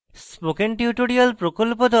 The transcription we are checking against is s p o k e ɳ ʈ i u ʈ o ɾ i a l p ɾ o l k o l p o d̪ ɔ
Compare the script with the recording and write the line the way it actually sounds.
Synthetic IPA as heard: s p o k e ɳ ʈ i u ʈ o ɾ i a l p ɾ o k o l p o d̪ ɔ